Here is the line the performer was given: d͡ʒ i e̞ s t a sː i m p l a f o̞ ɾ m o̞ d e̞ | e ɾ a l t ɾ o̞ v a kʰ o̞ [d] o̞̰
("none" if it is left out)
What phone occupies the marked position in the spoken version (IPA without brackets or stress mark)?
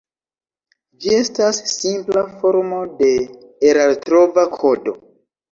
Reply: d